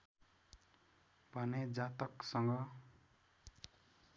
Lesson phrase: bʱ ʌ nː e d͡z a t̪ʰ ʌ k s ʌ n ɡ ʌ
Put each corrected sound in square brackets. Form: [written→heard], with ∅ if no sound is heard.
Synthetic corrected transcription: bʱ ʌ [nː→n] e d͡z a [t̪ʰ→t̪] ʌ k s ʌ [n→ŋ] ɡ ʌ